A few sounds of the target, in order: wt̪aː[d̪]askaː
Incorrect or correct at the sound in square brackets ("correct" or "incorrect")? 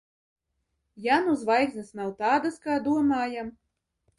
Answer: correct